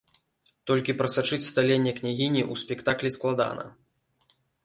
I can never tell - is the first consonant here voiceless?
yes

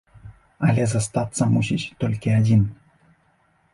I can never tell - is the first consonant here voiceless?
no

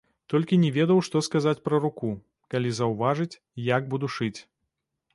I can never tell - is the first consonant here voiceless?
yes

